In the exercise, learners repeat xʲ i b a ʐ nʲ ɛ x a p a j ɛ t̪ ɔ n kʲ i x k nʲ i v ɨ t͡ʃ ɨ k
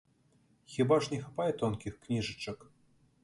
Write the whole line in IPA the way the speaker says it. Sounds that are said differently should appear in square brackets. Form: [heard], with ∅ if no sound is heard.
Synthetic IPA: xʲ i b a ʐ nʲ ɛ x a p a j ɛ t̪ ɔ n kʲ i x k nʲ i [ʐ] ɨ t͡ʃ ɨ k